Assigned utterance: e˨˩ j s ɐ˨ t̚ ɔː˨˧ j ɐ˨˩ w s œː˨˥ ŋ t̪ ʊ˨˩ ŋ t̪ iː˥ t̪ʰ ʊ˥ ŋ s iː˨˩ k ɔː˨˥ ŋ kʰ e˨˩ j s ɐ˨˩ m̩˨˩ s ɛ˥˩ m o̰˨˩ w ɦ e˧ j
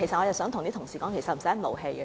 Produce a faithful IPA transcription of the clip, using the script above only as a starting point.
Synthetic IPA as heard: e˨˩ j s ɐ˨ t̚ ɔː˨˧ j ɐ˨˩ w s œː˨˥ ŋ t̪ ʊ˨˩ ŋ t̪ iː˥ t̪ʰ ʊ˨˩ ŋ s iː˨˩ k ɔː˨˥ ŋ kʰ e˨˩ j s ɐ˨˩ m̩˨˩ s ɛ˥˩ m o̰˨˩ w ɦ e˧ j